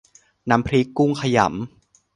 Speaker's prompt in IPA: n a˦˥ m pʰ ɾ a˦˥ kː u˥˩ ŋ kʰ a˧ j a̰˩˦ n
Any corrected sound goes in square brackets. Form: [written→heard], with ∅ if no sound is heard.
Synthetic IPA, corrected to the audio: n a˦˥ m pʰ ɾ [a˦˥→i˦˥] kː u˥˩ ŋ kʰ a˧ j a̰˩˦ [n→m]